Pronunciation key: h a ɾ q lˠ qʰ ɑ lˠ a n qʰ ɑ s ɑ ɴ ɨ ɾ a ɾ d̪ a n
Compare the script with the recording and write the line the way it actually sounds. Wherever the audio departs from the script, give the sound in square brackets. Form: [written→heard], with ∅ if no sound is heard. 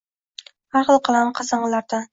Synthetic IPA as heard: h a ɾ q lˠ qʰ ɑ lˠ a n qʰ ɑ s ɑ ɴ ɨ [ɾ→l] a ɾ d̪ a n